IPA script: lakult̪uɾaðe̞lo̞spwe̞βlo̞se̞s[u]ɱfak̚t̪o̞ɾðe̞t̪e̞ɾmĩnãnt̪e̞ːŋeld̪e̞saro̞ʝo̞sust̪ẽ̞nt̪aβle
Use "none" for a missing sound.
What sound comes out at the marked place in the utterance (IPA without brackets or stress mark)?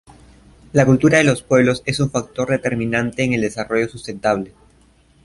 u